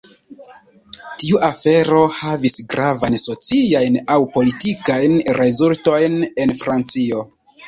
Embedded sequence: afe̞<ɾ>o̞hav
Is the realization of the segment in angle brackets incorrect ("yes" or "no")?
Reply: no